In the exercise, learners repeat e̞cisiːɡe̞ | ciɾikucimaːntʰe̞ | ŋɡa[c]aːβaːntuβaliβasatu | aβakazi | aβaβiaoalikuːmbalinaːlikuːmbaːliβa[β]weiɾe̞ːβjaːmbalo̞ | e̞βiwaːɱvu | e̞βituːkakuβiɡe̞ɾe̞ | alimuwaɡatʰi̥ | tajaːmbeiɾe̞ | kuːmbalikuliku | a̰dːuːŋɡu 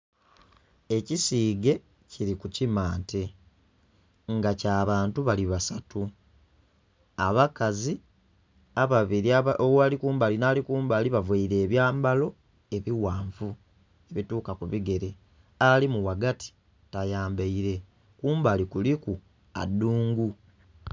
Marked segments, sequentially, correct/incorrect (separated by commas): correct, incorrect